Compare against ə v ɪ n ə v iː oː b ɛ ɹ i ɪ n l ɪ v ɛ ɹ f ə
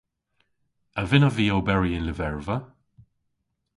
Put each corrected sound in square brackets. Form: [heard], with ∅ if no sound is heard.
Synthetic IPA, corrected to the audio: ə v ɪ n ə v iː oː b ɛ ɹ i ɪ n l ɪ v ɛ ɹ [v] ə

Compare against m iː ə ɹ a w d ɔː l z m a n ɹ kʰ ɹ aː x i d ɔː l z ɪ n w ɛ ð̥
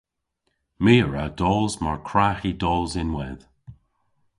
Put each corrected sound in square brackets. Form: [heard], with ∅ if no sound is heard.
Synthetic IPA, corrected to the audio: m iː ə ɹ a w d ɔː l z m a [∅] ɹ kʰ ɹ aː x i d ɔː l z ɪ n w ɛ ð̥

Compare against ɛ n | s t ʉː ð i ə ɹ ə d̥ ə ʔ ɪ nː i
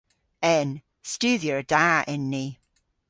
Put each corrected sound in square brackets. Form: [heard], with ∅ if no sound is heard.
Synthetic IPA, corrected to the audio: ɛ n | s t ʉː ð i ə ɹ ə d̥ [a] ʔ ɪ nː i

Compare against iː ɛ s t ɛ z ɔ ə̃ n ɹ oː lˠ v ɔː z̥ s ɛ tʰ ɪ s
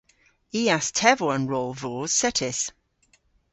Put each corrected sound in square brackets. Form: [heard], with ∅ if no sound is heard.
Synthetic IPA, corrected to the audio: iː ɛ s [tʰ] ɛ [v] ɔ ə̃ n ɹ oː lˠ v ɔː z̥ s ɛ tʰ ɪ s

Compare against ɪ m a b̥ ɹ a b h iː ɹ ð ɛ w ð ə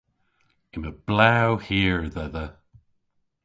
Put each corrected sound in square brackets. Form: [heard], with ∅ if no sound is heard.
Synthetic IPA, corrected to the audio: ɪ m [ə] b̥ [l] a [w] h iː ɹ ð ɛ [∅] ð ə

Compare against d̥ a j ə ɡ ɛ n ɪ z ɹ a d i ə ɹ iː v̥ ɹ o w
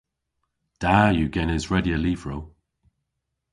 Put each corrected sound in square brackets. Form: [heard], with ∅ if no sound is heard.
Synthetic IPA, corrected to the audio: d̥ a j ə ɡ ɛ n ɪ z ɹ [ɛ] d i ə [l] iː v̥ ɹ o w

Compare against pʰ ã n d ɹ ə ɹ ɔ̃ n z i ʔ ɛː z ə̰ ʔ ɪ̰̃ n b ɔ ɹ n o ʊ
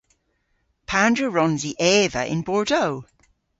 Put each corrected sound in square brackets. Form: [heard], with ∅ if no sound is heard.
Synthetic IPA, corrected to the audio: pʰ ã n d ɹ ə ɹ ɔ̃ n z i ʔ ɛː [v] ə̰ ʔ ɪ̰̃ n b ɔ ɹ [d] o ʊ

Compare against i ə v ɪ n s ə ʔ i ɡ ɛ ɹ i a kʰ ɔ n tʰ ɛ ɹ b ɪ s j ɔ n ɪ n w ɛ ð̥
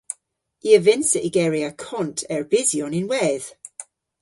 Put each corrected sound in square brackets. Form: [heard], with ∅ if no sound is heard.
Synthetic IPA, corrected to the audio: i ə v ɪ n s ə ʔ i ɡ ɛ ɹ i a kʰ ɔ n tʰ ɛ ɹ b ɪ [z] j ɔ n ɪ n w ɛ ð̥

